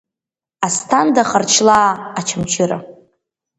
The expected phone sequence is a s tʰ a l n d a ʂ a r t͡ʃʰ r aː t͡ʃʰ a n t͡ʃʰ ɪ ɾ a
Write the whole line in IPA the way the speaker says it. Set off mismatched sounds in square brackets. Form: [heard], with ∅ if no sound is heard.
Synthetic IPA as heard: a s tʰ a [∅] n d a [χ] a r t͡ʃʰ [l] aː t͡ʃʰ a [m] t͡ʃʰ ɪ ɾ a